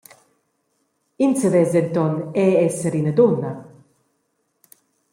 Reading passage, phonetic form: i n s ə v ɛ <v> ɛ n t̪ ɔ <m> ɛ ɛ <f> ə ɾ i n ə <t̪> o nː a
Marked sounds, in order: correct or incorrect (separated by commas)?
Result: incorrect, incorrect, incorrect, incorrect